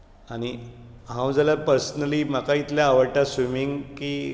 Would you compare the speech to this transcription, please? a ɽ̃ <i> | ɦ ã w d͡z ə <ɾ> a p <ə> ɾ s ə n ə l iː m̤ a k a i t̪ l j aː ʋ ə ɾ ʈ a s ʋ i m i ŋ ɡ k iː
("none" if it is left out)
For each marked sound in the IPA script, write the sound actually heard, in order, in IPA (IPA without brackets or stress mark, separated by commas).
i, l, ə